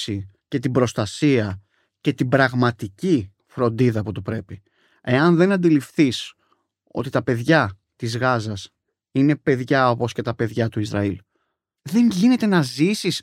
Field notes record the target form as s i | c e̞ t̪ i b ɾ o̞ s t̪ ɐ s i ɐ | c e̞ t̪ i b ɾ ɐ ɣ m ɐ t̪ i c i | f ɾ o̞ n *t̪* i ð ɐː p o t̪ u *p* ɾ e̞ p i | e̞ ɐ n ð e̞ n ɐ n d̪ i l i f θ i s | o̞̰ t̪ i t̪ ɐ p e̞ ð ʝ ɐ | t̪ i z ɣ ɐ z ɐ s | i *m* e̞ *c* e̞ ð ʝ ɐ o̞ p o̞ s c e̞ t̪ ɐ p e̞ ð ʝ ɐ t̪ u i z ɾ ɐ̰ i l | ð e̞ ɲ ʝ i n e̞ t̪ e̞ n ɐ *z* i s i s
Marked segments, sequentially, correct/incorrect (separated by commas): incorrect, correct, incorrect, incorrect, correct